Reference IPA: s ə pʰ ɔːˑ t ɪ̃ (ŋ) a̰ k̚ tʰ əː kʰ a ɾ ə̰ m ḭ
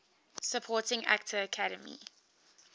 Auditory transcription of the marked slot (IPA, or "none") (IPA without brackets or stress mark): ŋ